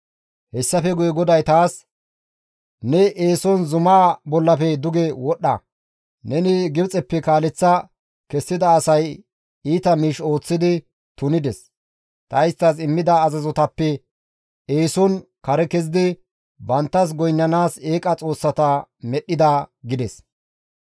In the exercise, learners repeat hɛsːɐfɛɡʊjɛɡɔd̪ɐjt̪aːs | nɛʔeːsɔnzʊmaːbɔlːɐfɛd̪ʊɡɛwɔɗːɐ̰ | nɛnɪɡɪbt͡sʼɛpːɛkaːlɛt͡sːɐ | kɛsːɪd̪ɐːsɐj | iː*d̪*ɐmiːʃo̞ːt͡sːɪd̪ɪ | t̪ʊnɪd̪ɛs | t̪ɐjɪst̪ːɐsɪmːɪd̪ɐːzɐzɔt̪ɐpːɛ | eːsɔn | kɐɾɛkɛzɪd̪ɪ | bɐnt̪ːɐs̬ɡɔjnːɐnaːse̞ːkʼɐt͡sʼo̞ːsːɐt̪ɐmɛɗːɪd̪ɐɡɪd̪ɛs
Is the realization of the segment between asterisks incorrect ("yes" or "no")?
yes